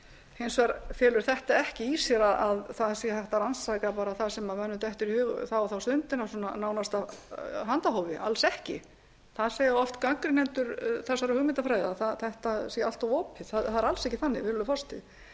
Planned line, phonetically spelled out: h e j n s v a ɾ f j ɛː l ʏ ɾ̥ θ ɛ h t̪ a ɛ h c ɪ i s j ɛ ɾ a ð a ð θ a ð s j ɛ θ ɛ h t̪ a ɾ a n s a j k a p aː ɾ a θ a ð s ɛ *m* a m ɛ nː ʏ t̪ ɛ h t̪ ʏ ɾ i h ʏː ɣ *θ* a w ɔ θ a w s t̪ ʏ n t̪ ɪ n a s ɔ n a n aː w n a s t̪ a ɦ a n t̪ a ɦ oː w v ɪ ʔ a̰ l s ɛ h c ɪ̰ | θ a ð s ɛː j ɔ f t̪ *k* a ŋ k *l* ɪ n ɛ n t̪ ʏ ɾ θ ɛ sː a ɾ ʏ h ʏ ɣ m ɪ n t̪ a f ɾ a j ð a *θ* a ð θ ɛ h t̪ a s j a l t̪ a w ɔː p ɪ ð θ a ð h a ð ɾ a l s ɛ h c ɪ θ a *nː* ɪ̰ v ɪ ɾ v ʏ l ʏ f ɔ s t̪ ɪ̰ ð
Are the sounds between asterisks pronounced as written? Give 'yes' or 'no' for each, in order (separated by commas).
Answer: yes, yes, yes, no, yes, yes